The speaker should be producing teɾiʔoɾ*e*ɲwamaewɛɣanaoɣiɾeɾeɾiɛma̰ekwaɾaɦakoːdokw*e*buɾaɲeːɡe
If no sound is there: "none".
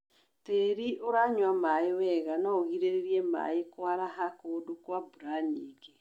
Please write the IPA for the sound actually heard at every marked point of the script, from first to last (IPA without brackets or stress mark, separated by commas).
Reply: a, a